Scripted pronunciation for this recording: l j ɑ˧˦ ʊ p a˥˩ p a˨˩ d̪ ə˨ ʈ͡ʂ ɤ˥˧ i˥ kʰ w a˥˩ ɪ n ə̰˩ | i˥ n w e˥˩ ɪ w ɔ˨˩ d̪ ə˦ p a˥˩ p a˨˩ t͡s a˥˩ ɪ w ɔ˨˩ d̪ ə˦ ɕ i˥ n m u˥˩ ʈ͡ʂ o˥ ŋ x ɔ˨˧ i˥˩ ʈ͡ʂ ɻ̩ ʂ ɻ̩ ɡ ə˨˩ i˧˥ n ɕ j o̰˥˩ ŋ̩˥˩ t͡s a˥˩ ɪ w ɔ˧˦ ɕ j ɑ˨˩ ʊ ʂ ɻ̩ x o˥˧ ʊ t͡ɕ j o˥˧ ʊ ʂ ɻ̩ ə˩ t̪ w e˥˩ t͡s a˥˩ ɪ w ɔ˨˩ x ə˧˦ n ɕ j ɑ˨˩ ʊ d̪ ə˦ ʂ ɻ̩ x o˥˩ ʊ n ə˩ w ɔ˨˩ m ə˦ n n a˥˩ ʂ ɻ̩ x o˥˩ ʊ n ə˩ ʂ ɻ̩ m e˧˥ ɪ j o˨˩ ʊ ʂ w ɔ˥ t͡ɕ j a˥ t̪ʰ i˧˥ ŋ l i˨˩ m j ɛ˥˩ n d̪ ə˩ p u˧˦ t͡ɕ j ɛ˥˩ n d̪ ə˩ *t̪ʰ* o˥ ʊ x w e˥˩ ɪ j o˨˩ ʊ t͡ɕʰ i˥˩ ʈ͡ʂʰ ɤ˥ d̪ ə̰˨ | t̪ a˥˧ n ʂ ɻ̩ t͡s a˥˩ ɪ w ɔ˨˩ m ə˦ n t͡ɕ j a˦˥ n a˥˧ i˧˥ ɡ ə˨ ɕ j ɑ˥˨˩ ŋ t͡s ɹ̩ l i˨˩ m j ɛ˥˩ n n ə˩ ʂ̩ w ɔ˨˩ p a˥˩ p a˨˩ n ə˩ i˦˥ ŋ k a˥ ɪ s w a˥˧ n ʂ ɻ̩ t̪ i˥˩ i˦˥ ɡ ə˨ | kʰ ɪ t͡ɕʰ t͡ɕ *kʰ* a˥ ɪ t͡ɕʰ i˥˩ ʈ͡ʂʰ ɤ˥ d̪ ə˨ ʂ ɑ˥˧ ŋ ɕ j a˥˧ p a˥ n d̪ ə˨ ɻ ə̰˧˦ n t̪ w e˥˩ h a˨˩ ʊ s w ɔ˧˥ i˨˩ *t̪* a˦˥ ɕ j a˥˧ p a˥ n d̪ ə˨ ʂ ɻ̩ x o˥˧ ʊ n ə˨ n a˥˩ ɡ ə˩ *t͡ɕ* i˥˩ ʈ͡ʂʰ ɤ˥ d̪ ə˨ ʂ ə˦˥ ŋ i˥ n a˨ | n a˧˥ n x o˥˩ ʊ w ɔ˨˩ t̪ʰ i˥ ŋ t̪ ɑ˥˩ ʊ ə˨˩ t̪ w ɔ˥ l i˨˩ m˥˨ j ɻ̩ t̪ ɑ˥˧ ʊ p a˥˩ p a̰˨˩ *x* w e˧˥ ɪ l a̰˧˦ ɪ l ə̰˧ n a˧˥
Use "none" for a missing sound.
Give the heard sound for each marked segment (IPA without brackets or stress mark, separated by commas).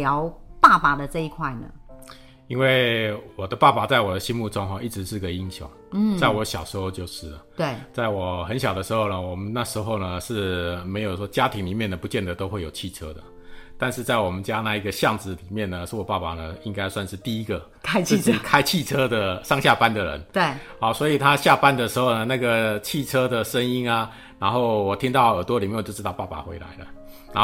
t̪, kʰ, t̪ʰ, t͡ɕʰ, x